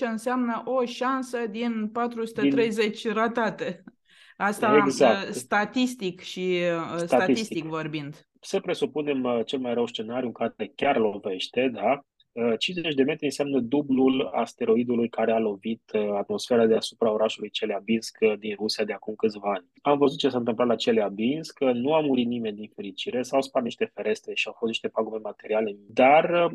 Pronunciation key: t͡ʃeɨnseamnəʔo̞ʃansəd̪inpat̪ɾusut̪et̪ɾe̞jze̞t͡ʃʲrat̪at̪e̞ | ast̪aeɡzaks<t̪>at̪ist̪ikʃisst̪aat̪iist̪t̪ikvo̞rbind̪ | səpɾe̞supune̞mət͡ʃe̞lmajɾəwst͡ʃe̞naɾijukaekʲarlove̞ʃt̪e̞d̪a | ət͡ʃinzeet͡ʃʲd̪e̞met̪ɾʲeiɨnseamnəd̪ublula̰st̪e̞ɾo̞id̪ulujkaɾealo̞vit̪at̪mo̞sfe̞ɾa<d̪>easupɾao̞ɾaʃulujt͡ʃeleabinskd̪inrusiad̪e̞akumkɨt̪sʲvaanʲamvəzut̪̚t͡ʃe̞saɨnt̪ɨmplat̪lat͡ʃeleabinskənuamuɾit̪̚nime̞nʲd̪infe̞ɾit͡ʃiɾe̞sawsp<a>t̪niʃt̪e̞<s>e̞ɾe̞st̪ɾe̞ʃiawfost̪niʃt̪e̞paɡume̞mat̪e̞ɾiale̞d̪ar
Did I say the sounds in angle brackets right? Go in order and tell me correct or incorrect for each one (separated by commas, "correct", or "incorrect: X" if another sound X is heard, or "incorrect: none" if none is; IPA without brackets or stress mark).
correct, correct, correct, incorrect: f